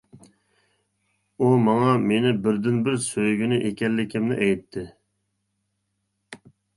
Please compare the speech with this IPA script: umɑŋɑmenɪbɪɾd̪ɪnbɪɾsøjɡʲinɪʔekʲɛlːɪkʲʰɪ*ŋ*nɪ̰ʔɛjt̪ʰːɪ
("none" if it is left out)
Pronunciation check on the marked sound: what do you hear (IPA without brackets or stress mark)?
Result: m